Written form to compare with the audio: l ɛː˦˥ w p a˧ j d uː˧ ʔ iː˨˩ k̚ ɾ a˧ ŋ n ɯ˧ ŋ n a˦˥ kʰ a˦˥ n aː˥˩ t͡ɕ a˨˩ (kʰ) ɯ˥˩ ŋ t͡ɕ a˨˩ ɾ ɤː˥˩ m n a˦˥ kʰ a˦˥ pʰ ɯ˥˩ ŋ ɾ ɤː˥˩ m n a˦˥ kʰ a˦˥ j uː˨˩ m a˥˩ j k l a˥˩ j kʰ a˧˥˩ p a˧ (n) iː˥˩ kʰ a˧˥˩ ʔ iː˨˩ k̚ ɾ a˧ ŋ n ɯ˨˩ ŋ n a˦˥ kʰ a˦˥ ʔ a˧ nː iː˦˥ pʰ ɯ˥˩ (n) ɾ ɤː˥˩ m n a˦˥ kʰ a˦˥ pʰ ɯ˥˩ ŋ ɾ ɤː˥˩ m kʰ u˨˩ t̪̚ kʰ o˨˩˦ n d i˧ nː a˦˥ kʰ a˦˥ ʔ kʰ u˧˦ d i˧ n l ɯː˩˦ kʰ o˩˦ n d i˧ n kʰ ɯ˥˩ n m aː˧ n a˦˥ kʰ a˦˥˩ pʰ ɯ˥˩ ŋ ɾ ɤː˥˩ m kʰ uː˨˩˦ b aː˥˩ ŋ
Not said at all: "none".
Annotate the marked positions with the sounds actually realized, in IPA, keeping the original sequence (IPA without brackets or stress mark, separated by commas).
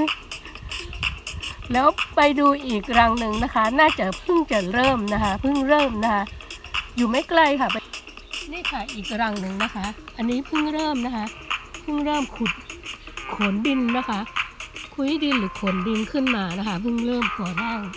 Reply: pʰ, n, ŋ